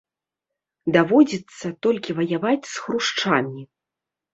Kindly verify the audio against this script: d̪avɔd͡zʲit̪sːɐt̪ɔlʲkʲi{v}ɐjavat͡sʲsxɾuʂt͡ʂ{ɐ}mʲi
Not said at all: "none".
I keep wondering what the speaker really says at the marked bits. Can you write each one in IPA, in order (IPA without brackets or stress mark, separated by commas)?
v, a